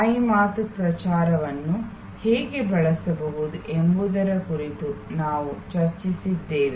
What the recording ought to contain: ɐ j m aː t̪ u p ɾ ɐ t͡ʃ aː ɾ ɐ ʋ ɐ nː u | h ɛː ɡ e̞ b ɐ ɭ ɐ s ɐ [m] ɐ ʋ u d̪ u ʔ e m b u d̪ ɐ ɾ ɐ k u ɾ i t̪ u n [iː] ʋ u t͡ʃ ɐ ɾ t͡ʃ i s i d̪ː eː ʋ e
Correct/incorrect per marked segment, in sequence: incorrect: b, incorrect: aː

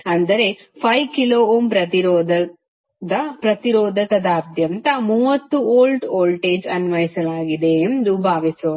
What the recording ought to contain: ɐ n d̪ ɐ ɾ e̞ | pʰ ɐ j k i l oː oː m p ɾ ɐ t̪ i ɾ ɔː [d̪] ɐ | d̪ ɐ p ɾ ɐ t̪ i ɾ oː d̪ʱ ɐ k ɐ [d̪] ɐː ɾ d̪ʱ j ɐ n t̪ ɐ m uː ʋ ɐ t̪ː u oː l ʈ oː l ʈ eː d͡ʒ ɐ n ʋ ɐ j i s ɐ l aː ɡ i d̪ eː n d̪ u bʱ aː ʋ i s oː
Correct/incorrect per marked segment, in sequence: correct, correct

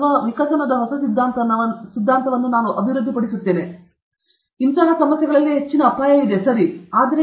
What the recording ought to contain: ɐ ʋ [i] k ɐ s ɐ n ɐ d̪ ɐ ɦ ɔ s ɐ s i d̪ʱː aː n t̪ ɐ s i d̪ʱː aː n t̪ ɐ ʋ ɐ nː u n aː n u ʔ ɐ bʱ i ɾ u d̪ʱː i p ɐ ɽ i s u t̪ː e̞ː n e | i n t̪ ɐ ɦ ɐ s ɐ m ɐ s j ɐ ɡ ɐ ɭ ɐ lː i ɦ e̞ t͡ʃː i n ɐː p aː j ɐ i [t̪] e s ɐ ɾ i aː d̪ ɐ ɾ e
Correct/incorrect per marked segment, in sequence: correct, incorrect: d̪

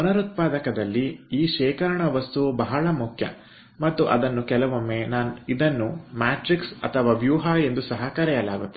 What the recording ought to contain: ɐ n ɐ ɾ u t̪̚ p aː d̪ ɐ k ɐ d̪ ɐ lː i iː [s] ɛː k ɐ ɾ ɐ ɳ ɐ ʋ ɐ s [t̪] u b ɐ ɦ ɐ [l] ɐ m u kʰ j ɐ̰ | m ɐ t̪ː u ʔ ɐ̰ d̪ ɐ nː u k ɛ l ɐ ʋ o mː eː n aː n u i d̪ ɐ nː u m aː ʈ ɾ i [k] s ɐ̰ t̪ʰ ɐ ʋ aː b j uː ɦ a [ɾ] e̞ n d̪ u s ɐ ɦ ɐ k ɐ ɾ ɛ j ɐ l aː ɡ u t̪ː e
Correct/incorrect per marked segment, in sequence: incorrect: ʃ, correct, incorrect: ɭ, correct, incorrect: none

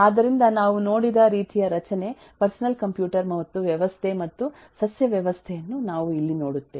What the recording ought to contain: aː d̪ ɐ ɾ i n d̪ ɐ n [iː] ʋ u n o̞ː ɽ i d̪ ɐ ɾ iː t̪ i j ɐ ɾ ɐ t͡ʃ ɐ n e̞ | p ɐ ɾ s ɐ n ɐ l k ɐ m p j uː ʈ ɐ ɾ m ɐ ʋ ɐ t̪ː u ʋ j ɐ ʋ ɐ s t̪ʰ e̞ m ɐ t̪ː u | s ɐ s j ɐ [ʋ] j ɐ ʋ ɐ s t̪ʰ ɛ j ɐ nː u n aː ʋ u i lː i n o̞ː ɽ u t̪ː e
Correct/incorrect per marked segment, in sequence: incorrect: aː, correct

